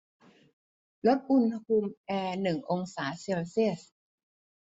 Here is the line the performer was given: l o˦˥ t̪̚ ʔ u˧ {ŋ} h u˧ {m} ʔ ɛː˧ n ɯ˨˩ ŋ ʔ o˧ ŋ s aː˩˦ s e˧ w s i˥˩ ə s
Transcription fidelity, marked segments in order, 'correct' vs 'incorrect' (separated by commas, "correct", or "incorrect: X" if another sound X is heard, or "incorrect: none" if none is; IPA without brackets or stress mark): incorrect: n, correct